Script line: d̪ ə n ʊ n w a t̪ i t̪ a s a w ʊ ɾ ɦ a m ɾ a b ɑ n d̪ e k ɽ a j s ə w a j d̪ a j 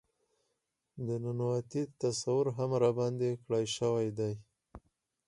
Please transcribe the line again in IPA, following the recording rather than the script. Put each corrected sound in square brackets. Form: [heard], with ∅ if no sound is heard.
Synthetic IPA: d̪ ə n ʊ n w a t̪ i t̪ a s a w ʊ ɾ ɦ a m ɾ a b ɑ n d̪ e k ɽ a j [ʃ] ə w a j d̪ a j